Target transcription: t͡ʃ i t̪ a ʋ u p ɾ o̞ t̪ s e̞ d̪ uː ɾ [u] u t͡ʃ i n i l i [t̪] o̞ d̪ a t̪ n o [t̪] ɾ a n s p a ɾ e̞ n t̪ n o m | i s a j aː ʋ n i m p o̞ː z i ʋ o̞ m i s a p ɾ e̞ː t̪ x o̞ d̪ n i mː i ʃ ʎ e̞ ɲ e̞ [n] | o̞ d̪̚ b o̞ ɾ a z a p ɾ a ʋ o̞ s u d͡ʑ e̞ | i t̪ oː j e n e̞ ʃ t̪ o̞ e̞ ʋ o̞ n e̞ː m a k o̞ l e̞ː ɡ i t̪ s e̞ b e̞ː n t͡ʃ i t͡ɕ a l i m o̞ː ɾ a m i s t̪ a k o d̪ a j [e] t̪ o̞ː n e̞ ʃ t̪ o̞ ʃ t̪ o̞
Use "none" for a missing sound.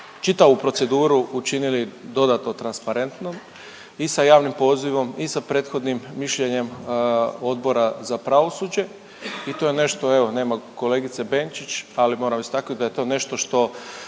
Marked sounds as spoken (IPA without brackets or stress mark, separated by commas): u, d̪, t̪, m, e